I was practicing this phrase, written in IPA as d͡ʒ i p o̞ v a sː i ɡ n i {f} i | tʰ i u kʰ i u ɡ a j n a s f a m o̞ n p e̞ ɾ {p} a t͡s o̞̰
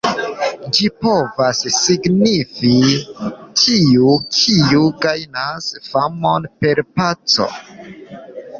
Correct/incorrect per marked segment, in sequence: correct, correct

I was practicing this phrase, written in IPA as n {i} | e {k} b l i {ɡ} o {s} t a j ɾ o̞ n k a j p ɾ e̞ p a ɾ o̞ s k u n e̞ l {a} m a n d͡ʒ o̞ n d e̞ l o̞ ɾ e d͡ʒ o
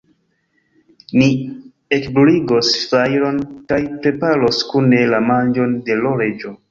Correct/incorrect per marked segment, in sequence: correct, correct, correct, correct, correct

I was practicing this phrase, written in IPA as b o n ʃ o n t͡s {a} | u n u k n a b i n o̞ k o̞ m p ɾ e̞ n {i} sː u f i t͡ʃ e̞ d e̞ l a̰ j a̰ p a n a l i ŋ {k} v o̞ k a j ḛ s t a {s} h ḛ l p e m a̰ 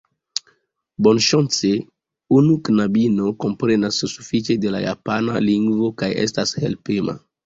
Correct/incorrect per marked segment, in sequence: incorrect, incorrect, incorrect, correct

